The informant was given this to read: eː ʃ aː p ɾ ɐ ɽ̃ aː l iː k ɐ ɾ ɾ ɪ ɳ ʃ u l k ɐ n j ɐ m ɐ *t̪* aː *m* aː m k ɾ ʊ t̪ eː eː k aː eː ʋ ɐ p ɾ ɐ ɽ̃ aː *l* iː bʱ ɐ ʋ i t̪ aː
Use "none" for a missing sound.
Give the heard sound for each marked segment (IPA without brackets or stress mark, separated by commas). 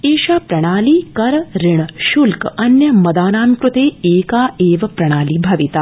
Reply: d̪, n, l